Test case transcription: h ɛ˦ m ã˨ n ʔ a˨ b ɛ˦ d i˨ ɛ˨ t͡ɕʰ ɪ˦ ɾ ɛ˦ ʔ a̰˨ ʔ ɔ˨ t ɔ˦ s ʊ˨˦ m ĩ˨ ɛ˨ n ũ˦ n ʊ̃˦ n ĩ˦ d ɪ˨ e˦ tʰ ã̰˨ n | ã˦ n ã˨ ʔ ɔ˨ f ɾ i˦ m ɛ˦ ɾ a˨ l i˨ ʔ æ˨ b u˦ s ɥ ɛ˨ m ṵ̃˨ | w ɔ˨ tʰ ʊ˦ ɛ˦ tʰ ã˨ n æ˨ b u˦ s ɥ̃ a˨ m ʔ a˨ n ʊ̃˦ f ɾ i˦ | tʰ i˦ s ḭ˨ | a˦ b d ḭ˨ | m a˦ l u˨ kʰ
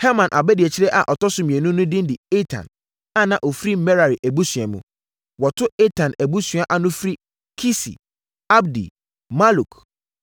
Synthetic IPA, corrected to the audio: h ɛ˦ m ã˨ n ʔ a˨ b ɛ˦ d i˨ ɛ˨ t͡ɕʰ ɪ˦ ɾ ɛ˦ ʔ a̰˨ ʔ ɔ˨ t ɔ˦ s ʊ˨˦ m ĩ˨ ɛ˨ n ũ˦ n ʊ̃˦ d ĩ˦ d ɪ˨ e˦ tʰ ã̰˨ n | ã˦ n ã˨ ʔ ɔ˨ f ɾ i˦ m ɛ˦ ɾ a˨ ɾ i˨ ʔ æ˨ b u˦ s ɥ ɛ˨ m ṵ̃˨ | w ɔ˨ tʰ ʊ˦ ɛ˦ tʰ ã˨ n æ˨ b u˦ s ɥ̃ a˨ ʔ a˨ n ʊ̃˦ f ɾ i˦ | kʰ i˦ s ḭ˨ | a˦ b d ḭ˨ | m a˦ l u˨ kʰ